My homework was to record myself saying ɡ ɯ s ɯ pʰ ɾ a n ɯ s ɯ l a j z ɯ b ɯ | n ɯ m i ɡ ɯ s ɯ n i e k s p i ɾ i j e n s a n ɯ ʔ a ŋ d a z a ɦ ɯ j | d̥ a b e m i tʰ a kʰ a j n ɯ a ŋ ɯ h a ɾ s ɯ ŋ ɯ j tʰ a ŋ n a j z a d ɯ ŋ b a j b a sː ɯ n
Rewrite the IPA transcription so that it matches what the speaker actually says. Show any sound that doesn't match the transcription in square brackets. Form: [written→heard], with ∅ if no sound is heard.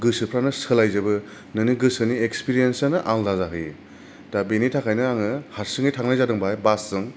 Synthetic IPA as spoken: ɡ ɯ s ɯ pʰ ɾ a n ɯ s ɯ l a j z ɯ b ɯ | n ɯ [m→n] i ɡ ɯ s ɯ n i e k s p i ɾ i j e n s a n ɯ ʔ a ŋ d a z a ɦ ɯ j | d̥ a b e [m→n] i tʰ a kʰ a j n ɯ a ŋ ɯ h a ɾ s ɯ ŋ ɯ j tʰ a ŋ n a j z a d ɯ ŋ b a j b a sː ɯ [n→ŋ]

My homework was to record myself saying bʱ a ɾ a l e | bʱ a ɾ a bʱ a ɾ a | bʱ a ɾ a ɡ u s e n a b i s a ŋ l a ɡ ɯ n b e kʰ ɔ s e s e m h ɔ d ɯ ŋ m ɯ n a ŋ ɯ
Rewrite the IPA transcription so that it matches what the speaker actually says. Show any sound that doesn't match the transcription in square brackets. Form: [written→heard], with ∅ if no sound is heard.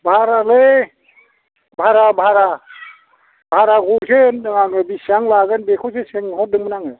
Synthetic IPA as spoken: bʱ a ɾ a l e | bʱ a ɾ a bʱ a ɾ a | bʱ a ɾ a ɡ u s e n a b i s a ŋ l a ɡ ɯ n b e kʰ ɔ s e s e [m→ŋ] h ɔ d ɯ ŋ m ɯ n a ŋ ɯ

